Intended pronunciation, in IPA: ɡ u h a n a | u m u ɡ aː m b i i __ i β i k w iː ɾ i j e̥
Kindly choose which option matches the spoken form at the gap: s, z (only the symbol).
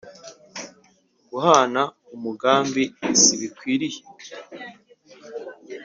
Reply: s